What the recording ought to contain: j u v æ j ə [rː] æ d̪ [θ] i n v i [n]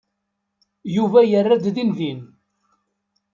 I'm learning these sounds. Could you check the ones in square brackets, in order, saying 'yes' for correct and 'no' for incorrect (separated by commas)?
yes, no, yes